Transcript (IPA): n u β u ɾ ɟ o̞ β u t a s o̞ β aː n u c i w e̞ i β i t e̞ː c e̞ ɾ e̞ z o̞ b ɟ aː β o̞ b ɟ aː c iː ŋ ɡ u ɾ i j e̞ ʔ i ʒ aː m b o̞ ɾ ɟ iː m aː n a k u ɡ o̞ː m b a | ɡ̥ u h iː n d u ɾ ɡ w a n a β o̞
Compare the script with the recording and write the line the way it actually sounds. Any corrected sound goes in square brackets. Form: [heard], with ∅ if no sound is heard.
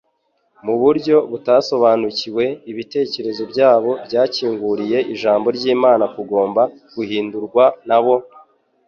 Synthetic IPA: [m] u β u ɾ ɟ o̞ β u t a s o̞ β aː n u c i w e̞ i β i t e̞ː c e̞ ɾ e̞ z o̞ b ɟ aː β o̞ b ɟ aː c iː ŋ ɡ u ɾ i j e̞ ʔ i ʒ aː m b o̞ ɾ ɟ iː m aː n a k u ɡ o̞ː m b a | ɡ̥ u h iː n d u ɾ ɡ w a n a β o̞